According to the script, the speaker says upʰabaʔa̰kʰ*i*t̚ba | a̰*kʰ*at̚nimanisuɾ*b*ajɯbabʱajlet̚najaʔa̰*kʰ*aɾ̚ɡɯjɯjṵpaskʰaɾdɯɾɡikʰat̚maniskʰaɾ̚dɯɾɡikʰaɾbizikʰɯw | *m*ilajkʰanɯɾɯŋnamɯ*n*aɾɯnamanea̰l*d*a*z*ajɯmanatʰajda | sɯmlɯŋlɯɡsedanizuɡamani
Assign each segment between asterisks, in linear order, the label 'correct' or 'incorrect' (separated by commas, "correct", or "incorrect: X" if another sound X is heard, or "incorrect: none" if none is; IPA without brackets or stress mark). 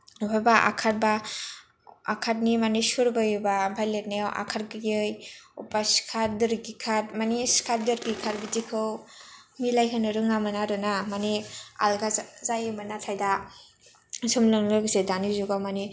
incorrect: a, correct, correct, correct, correct, correct, incorrect: ɡ, correct